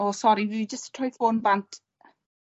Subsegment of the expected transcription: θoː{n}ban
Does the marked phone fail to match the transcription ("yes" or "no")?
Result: no